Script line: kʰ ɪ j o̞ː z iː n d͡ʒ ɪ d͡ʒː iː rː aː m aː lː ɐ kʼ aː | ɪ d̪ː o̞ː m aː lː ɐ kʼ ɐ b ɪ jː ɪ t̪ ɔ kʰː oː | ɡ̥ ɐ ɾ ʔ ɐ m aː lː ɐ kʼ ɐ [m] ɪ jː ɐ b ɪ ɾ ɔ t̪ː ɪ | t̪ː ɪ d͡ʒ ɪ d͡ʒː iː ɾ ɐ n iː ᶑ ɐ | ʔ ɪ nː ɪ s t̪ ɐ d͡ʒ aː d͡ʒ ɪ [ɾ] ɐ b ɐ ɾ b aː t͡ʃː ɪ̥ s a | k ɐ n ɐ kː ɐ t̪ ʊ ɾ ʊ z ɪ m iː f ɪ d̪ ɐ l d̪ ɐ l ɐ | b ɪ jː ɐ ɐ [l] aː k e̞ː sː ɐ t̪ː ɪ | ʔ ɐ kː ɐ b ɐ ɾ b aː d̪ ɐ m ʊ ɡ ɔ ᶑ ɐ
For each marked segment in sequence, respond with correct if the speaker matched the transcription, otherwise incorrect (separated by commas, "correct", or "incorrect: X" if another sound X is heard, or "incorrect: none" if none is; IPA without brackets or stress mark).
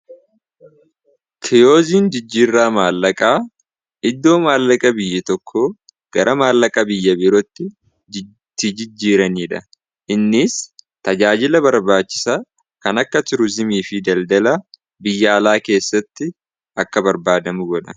incorrect: b, incorrect: l, correct